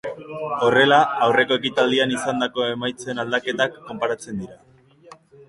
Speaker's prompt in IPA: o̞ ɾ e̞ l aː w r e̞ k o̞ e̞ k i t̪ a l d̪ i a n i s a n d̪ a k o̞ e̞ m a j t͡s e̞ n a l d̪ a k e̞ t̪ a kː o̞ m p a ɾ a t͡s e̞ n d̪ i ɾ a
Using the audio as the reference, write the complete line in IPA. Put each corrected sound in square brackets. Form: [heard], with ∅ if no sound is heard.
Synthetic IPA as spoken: o̞ [r] e̞ l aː w r e̞ k o̞ e̞ k i t̪ a l d̪ i a n i s a n d̪ a k o̞ e̞ m a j t͡s e̞ n a l d̪ a k e̞ t̪ a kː o̞ m p a ɾ a t͡s e̞ n d̪ i ɾ a